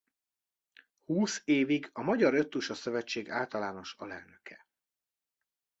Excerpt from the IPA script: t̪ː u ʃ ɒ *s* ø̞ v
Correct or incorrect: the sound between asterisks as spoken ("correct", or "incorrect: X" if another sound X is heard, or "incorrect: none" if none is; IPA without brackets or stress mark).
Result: correct